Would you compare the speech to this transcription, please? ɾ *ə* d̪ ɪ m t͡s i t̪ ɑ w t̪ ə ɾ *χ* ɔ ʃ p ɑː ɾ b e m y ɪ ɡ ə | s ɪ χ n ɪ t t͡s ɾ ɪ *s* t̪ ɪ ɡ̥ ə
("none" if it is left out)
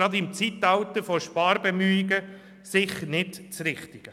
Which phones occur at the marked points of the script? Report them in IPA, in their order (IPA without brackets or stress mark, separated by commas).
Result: ɑ, f, χ